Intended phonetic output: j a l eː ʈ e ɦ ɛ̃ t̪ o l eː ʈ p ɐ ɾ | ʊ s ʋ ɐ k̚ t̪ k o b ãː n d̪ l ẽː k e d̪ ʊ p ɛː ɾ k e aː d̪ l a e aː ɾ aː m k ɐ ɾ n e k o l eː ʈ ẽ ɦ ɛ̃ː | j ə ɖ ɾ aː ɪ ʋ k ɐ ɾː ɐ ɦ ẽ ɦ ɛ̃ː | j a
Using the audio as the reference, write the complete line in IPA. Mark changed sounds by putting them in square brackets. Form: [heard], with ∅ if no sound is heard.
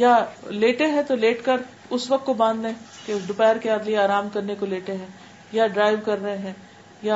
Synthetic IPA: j a l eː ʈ e ɦ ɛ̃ t̪ o l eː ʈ [k] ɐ ɾ | ʊ s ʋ ɐ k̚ t̪ k o b ãː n d̪ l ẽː k e d̪ ʊ p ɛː ɾ k e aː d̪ l [i] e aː ɾ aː m k ɐ ɾ n e k o l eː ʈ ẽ ɦ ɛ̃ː | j [a] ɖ ɾ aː ɪ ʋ k ɐ ɾː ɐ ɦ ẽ ɦ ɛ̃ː | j a